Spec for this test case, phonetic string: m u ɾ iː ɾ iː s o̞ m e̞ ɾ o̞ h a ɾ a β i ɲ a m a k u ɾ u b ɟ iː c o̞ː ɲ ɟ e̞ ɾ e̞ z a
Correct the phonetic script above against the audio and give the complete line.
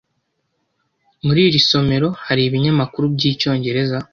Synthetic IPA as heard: m u ɾ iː ɾ i s o̞ m e̞ ɾ o̞ h a ɾ i β i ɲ a m a k u ɾ u b ɟ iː c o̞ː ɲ ɟ e̞ ɾ e̞ z a